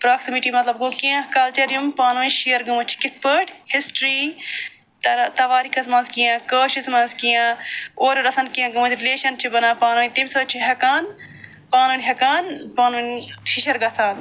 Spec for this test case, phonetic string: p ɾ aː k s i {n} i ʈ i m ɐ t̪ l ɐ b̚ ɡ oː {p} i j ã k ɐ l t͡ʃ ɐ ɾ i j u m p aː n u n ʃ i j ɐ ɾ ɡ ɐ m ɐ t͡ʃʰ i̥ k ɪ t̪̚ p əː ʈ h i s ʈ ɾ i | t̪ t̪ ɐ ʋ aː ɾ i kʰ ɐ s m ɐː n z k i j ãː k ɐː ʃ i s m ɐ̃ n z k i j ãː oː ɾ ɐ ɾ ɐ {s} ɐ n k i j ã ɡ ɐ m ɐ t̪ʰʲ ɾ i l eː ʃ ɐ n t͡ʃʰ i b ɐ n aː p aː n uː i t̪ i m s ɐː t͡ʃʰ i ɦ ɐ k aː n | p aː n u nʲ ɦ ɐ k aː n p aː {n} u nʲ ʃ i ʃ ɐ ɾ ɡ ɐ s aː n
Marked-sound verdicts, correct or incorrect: incorrect: m, incorrect: k, correct, correct

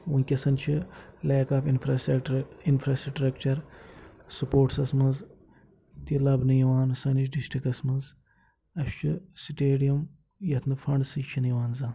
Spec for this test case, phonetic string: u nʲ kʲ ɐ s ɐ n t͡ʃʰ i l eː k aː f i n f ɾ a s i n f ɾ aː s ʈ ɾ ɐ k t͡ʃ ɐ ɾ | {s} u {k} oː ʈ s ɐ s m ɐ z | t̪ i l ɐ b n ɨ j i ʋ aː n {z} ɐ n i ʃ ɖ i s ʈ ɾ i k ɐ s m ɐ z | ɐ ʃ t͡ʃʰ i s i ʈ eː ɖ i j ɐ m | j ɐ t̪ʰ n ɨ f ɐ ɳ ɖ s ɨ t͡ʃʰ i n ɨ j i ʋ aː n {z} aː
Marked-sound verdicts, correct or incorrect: correct, incorrect: p, incorrect: s, correct

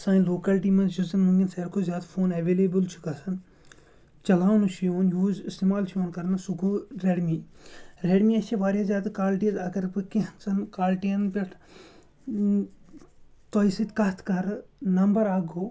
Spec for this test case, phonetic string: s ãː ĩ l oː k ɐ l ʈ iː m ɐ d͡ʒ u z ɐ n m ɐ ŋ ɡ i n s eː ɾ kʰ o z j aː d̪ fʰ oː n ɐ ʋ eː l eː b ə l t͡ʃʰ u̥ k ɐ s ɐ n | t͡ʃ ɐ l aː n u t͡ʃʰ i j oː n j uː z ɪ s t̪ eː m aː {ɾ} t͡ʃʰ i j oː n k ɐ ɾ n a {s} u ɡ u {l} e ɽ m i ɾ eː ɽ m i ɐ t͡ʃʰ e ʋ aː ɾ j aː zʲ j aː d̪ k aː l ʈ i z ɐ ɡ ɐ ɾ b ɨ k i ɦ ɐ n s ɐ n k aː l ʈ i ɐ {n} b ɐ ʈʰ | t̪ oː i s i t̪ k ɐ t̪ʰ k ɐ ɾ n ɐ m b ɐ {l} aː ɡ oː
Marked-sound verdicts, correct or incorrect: incorrect: l, correct, incorrect: ɾ, correct, incorrect: ɾ

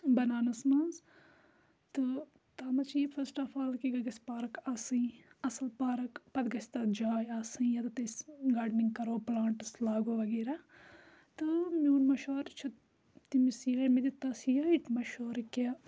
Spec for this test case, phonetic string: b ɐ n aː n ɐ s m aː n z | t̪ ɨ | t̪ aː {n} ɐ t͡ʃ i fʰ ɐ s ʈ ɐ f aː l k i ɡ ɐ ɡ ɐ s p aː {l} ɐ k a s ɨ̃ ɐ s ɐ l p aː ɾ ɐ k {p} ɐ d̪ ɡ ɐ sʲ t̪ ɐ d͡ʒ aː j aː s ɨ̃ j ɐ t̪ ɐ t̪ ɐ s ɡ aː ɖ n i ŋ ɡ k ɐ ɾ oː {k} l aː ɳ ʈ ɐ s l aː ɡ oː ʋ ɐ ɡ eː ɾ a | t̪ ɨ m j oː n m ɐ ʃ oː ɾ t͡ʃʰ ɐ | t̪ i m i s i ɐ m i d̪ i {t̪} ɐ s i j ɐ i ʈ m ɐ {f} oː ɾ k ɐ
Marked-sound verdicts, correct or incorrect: incorrect: m, incorrect: ɾ, correct, incorrect: p, correct, incorrect: ʃ

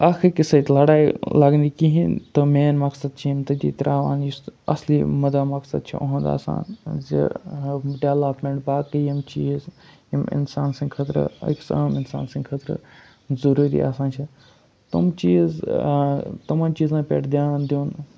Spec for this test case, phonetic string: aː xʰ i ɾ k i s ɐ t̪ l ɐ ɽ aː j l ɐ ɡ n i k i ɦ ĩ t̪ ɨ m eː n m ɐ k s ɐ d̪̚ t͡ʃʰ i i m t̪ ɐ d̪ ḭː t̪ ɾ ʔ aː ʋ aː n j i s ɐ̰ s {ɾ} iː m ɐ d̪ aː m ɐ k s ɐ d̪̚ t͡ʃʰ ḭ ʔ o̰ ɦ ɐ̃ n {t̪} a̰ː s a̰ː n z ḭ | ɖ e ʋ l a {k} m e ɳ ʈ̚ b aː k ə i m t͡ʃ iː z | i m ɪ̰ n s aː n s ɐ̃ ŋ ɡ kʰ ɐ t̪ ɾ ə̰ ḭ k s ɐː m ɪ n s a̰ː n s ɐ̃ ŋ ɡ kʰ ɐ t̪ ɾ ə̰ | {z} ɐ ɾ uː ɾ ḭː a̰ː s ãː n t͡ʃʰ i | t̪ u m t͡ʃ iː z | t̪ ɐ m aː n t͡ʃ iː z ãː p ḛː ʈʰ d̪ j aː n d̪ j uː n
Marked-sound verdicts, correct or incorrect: incorrect: l, incorrect: d̪, incorrect: p, correct

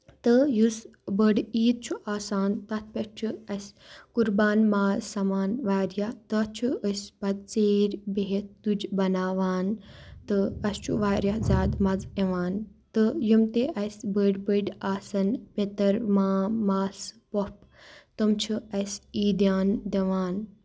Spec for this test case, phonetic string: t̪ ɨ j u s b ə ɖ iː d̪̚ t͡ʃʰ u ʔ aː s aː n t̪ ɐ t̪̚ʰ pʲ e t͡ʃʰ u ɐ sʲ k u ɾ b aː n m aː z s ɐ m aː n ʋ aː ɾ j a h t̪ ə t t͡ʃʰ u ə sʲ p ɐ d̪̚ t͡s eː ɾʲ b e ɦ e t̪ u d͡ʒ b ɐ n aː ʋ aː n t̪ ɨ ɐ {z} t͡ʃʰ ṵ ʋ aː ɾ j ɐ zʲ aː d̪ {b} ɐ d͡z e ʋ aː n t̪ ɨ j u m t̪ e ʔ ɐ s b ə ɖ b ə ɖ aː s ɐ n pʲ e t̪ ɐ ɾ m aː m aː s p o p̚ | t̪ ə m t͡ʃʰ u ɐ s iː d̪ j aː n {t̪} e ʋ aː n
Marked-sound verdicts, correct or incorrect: incorrect: s, incorrect: m, incorrect: d̪

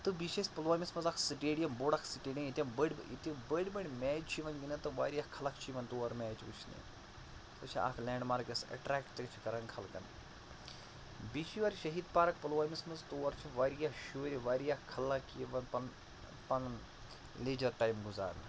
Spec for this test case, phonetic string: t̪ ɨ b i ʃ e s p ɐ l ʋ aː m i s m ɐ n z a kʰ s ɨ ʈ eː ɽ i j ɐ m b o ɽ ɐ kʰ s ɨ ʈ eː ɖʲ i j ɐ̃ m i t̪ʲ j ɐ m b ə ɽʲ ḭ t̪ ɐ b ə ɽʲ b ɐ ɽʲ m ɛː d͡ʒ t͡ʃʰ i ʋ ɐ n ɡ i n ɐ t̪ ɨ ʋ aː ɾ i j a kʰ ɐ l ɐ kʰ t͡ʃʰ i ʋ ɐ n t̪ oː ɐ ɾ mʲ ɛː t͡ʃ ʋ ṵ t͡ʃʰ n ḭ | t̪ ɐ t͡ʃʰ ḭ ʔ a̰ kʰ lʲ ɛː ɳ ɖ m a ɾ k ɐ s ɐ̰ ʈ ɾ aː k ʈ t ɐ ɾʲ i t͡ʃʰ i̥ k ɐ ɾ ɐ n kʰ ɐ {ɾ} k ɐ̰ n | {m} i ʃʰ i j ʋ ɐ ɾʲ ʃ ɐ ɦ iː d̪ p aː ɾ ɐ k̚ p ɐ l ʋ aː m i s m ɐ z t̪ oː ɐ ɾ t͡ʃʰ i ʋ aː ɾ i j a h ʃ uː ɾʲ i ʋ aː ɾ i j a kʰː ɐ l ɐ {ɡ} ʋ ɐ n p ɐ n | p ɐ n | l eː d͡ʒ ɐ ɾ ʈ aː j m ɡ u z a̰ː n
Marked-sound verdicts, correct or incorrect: incorrect: l, incorrect: b, incorrect: k

